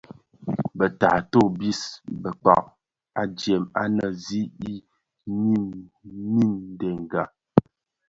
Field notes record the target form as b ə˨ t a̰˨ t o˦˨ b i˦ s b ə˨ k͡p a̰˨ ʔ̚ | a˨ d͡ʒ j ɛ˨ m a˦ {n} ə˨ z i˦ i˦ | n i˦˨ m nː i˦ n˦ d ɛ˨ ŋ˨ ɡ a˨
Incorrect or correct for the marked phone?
correct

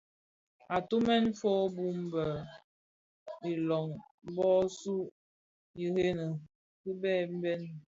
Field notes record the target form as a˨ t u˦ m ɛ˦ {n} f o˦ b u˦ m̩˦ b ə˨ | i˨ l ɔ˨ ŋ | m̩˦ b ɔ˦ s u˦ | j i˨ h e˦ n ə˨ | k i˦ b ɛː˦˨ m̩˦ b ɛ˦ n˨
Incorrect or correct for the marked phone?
correct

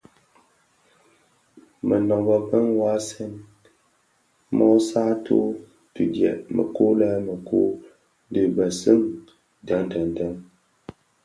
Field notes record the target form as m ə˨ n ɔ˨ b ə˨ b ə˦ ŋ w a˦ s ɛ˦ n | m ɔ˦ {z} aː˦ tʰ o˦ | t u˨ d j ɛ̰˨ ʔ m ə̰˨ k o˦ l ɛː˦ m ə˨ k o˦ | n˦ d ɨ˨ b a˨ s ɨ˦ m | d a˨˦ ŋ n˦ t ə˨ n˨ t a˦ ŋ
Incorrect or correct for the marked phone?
incorrect: s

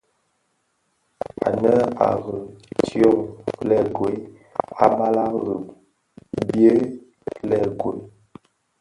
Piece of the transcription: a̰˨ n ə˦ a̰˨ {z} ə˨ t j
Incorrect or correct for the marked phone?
incorrect: ɣ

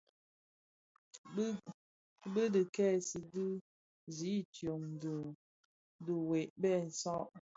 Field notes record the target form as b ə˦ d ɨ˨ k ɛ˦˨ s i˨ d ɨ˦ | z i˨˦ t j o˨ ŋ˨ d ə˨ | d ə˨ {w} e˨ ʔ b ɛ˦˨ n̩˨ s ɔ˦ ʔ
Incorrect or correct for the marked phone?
correct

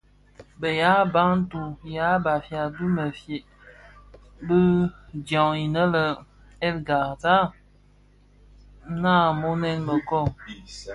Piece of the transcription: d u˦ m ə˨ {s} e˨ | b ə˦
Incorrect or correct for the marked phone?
incorrect: f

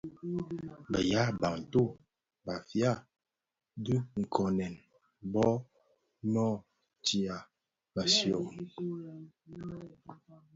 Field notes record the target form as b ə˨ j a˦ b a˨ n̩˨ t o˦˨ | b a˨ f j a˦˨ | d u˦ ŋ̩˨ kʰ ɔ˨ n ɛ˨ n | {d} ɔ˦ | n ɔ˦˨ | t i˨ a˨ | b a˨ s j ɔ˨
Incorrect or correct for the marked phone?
incorrect: b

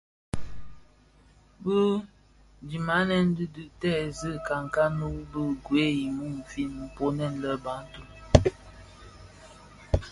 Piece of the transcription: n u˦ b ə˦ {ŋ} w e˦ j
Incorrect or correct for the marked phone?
incorrect: ɡ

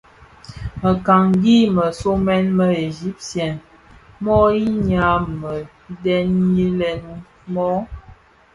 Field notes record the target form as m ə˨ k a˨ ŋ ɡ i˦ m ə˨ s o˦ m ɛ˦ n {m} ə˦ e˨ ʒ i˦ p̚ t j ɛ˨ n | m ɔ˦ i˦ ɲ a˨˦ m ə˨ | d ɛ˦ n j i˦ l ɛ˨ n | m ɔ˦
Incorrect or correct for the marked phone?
correct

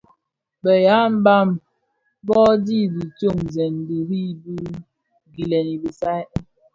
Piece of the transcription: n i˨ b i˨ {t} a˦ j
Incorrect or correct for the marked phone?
incorrect: s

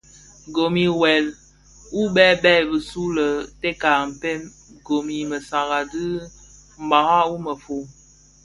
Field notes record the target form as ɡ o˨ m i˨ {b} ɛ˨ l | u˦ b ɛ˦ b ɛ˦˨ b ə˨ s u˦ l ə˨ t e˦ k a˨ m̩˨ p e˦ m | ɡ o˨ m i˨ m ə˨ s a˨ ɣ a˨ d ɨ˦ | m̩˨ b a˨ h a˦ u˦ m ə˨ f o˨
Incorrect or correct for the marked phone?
incorrect: w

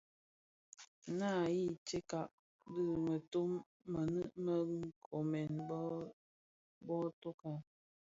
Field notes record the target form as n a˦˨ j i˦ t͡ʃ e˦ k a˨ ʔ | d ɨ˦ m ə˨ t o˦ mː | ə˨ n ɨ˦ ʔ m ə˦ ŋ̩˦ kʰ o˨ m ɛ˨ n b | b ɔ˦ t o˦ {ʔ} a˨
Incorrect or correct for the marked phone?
incorrect: k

